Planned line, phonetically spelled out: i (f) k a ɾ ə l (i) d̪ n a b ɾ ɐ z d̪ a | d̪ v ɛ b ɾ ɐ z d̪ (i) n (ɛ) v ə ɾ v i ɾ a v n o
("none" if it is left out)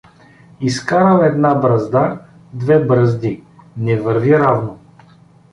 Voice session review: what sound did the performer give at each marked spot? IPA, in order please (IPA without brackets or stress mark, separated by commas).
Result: s, ɛ, i, ɛ